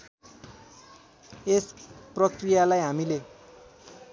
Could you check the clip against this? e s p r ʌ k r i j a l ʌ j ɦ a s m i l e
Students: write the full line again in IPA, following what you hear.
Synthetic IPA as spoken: e s p r ʌ k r i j a l a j ɦ a m i l e